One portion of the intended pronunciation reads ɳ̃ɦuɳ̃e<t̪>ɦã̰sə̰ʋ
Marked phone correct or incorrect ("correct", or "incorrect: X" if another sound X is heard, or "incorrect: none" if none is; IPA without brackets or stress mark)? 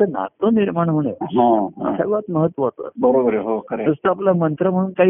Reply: incorrect: none